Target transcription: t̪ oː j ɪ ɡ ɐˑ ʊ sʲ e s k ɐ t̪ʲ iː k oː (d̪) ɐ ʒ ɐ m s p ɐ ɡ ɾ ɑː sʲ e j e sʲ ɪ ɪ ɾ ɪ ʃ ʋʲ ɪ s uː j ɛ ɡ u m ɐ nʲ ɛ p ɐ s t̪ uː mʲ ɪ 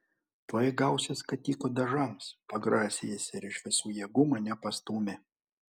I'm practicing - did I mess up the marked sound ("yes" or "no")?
no